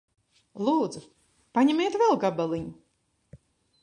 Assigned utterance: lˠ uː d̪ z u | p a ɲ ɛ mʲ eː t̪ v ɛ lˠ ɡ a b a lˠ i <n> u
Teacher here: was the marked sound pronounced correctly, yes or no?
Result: no